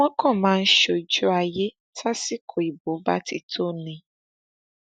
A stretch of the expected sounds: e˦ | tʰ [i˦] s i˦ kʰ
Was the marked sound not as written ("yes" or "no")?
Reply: yes